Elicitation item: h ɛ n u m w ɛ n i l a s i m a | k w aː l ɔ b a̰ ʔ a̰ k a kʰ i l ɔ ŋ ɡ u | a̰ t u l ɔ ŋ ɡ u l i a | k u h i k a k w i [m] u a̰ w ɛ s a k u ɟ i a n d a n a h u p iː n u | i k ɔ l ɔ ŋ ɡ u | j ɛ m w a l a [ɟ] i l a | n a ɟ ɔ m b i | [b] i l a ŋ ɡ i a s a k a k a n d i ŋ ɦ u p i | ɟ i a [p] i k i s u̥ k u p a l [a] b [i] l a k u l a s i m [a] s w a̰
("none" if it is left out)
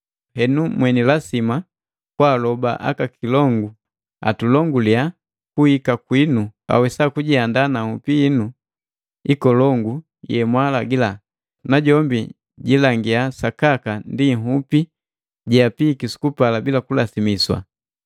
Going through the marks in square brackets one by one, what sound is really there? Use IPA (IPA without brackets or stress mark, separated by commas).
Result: n, ɡ, ɟ, p, a, i, i